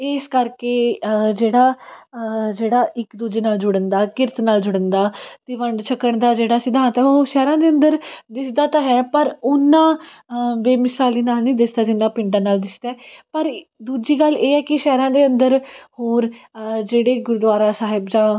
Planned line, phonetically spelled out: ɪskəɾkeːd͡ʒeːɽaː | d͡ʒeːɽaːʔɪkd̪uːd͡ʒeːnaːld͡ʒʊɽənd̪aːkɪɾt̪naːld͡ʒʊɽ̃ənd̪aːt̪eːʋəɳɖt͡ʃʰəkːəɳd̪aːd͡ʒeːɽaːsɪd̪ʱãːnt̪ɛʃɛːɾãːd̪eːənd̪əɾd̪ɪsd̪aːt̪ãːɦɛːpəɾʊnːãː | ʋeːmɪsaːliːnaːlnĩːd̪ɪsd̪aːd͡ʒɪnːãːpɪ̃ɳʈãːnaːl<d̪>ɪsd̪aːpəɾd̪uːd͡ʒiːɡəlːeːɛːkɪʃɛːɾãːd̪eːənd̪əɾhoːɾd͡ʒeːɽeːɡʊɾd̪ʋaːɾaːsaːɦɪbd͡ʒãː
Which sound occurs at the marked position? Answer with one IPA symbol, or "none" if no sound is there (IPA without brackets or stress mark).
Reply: d̪